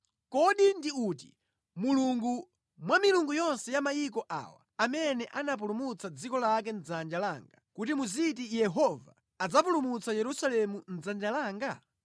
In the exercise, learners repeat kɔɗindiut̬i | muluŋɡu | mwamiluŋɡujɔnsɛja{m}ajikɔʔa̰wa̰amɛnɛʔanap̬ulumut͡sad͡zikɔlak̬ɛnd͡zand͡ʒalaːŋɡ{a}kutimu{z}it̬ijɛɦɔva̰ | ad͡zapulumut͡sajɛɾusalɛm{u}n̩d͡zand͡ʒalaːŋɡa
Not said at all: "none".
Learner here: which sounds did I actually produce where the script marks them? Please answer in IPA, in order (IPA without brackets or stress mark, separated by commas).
m, a, z, u